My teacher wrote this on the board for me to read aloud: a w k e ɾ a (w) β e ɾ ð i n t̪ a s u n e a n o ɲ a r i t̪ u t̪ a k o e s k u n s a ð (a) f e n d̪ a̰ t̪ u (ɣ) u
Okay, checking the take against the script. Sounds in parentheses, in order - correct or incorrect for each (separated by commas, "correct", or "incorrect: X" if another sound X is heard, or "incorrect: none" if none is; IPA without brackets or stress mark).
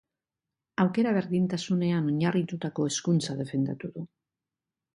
incorrect: none, incorrect: e, incorrect: ð